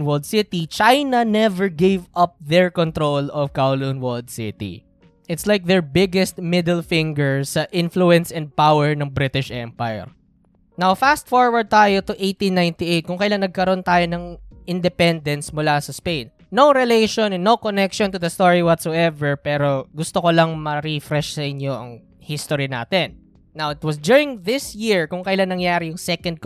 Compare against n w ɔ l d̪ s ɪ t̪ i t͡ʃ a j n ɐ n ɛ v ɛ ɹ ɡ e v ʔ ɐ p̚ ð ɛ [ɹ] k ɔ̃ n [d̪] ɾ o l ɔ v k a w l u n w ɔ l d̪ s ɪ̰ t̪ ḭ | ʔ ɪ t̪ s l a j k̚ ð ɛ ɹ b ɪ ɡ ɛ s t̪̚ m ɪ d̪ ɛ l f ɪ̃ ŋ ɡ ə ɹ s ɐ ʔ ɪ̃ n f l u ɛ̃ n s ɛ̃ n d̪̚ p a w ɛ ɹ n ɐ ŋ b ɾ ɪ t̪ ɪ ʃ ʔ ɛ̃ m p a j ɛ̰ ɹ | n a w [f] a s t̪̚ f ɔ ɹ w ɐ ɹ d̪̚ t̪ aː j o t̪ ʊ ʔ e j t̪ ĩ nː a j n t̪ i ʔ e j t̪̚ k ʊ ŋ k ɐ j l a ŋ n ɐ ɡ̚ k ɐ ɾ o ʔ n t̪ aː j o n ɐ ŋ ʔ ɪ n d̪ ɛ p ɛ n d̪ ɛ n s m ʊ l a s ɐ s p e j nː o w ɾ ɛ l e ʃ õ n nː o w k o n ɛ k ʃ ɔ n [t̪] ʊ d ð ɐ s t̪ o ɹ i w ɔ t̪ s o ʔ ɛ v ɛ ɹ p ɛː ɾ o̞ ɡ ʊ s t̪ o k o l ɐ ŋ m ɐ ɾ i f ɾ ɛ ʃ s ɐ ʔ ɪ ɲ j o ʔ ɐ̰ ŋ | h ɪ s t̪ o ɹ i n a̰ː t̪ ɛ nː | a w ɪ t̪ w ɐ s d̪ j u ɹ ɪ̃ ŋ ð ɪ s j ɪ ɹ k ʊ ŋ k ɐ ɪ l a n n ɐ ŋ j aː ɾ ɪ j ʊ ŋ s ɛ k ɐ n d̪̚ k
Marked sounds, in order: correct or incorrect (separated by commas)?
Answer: correct, incorrect, correct, correct